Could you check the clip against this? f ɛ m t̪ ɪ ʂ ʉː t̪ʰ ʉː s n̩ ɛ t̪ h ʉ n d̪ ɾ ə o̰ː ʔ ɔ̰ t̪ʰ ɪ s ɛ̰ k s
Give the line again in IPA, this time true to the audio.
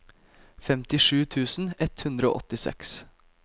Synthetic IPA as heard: f ɛ m t̪ ɪ ʂ ʉː t̪ʰ ʉː s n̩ ɛ t̪ h ʉ n d̪ ɾ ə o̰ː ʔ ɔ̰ t̪ ɪ s ɛ̰ k s